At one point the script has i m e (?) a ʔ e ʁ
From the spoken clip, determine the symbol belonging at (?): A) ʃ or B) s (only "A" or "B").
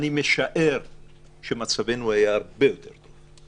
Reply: A